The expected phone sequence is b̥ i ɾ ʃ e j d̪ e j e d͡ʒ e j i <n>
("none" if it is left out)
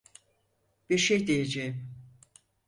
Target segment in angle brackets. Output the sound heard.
m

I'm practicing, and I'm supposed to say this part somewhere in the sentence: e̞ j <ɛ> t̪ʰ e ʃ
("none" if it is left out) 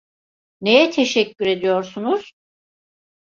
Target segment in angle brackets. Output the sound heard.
ɛ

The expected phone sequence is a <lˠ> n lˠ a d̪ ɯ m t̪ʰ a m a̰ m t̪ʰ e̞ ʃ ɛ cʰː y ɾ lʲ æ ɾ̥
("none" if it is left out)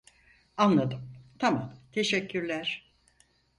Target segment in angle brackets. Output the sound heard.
none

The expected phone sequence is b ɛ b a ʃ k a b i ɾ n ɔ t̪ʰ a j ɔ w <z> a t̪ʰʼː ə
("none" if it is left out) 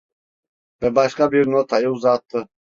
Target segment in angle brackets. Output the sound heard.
z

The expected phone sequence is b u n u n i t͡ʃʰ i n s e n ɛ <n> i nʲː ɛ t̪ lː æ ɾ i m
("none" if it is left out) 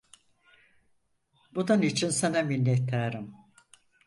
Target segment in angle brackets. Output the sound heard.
m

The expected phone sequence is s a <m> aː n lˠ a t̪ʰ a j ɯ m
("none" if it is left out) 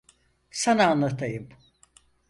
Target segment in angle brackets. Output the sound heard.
n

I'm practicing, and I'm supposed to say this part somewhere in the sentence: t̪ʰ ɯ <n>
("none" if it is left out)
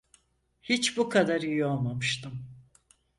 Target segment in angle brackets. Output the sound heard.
m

